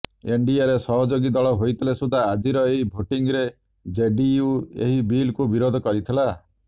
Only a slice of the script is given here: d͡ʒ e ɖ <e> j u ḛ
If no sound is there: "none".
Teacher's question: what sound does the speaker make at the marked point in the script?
i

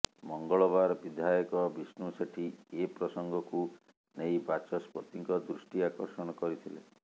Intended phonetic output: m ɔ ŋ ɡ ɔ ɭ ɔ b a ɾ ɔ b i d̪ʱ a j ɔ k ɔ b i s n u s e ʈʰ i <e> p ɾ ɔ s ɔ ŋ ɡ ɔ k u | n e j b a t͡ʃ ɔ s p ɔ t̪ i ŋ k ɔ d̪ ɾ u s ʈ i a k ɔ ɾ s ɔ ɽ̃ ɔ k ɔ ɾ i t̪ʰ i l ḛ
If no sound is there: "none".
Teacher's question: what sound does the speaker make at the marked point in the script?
e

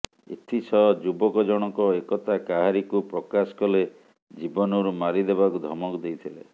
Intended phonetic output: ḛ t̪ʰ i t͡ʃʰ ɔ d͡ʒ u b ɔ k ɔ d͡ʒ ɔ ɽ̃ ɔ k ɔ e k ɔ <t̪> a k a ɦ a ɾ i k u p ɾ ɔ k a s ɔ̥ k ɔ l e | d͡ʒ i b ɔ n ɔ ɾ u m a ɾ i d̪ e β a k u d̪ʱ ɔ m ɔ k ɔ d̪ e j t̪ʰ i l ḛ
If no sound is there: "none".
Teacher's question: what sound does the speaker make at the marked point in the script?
t̪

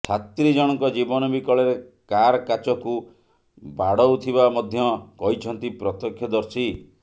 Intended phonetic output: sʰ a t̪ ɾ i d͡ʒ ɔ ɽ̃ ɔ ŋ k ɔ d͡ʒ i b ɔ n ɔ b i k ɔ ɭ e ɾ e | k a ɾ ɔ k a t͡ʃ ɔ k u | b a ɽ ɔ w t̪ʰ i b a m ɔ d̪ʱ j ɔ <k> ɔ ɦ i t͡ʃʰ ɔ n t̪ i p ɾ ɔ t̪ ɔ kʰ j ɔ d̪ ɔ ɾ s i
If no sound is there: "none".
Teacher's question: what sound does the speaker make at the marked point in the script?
k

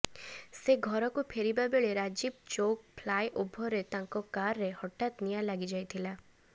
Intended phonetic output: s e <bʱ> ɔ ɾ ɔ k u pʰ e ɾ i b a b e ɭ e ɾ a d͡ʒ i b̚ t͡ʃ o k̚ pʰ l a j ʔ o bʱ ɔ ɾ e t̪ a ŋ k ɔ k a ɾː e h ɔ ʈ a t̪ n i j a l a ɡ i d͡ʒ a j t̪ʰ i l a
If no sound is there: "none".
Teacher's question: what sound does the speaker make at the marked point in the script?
ɡʱ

